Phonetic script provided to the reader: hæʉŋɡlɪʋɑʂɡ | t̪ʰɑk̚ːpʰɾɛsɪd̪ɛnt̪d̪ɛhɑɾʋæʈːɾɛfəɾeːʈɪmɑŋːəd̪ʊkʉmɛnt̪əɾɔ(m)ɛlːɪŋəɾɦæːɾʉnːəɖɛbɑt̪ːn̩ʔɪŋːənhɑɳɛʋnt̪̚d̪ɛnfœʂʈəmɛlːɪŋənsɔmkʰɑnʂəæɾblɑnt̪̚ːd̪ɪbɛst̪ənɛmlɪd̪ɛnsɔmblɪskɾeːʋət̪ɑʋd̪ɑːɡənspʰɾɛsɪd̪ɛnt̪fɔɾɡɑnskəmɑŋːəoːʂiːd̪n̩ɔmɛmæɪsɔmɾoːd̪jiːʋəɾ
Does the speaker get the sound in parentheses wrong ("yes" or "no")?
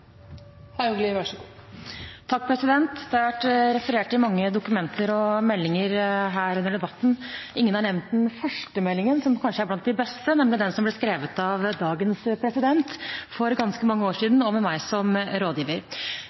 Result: no